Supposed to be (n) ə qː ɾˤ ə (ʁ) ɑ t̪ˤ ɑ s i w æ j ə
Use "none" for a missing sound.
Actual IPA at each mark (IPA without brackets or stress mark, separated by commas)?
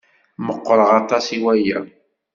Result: m, ʁ